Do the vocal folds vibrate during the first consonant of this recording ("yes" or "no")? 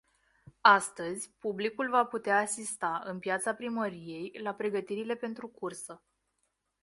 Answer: no